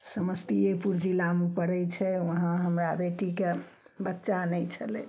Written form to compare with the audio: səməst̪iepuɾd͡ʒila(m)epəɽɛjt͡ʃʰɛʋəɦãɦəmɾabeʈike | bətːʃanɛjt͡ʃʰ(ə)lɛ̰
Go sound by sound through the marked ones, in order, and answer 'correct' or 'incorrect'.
correct, correct

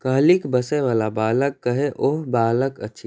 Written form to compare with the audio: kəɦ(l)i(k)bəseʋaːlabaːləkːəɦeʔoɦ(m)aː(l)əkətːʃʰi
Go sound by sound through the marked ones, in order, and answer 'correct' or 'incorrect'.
correct, correct, incorrect: b, correct

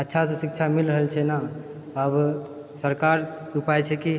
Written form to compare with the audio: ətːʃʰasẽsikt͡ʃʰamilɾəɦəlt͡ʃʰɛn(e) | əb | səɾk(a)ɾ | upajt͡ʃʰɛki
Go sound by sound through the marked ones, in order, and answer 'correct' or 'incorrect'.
incorrect: a, correct

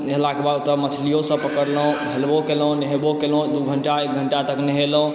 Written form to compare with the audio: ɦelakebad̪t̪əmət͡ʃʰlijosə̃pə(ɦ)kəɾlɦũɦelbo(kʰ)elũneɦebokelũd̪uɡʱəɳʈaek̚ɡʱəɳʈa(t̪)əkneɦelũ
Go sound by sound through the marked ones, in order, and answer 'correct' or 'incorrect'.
incorrect: none, incorrect: k, correct

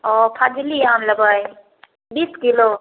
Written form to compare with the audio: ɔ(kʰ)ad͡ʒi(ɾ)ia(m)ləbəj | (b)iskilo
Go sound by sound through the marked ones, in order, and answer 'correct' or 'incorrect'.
incorrect: pʰ, incorrect: l, correct, correct

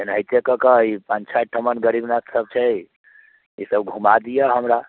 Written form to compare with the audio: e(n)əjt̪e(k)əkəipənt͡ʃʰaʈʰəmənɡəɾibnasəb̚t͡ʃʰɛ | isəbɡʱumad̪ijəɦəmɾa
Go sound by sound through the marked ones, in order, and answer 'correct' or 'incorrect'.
correct, correct

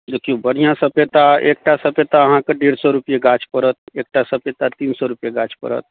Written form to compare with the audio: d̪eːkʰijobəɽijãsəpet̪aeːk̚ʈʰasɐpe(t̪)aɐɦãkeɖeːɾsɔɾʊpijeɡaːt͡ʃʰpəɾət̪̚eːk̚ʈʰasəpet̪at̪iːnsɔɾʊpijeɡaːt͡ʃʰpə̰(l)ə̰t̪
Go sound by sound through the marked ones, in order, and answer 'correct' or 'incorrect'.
correct, incorrect: ɾ

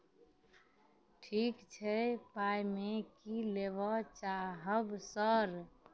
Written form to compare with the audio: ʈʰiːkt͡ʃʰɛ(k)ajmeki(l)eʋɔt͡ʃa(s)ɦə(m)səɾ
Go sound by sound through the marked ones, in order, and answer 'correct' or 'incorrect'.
incorrect: p, correct, incorrect: none, incorrect: b

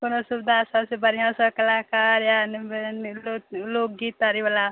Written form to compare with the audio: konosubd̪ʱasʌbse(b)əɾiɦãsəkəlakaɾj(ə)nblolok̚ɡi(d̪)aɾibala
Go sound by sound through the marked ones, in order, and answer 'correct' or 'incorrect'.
correct, incorrect: a, incorrect: t̪

